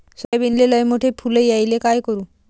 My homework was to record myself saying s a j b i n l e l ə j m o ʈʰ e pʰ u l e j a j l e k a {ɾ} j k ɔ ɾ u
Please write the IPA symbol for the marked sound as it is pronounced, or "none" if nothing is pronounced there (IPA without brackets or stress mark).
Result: none